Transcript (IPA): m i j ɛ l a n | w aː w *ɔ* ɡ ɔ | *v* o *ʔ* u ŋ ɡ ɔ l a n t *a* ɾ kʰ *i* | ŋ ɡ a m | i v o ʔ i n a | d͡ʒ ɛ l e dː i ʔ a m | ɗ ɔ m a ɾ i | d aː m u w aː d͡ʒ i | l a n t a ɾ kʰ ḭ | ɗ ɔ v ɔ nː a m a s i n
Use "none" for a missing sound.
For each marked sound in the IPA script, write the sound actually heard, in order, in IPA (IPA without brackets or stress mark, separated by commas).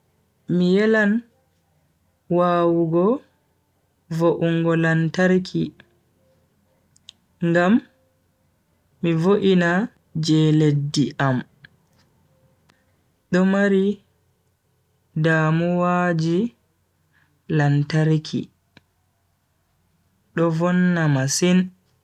u, v, ʔ, a, i